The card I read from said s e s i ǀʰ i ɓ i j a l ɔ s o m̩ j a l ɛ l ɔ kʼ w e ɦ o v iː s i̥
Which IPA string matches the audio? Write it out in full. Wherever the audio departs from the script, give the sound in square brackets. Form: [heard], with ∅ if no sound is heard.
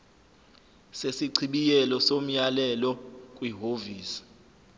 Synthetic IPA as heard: s e s i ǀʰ i ɓ i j [ɛ] l ɔ s o m̩ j a l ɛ l ɔ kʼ w [i] ɦ o v iː s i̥